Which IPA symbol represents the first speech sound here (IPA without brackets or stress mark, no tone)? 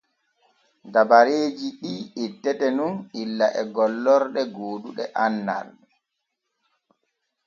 d